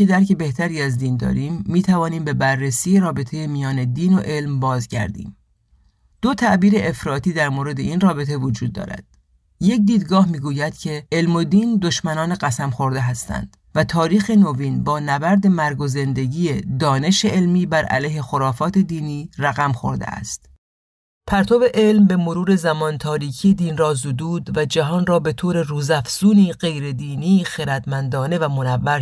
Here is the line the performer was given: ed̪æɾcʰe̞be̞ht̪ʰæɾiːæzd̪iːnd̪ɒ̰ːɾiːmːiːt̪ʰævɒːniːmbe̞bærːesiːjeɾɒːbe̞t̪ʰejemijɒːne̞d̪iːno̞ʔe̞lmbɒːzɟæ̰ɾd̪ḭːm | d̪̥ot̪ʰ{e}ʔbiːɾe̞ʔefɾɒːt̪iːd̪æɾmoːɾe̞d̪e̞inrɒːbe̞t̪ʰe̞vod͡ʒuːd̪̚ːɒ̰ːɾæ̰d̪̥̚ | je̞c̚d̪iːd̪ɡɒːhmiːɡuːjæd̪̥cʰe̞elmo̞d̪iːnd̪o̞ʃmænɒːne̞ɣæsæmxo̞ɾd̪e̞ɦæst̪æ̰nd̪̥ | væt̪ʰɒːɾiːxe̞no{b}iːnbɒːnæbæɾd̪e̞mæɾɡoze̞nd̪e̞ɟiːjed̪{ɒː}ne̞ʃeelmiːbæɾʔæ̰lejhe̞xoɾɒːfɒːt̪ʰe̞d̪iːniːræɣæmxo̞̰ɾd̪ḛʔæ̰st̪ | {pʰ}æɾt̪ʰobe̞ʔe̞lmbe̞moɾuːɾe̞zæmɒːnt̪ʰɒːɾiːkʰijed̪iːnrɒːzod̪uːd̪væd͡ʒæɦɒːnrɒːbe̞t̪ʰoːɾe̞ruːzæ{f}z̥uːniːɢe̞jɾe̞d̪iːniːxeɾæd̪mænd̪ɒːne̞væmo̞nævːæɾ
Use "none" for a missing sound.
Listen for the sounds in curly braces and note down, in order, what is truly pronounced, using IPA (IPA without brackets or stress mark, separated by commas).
æ, v, ɒː, pʰ, f